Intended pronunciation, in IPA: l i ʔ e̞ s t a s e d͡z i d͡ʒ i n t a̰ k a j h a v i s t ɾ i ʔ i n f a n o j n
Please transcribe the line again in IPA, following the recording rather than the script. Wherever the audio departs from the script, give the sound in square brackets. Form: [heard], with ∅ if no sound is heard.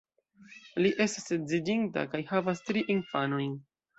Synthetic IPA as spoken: l i ʔ e̞ s t a s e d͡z i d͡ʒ i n t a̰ k a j h a v [a] s t ɾ i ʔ i n f a n o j n